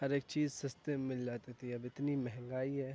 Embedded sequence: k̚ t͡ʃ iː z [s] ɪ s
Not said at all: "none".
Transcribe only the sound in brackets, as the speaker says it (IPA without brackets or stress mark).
s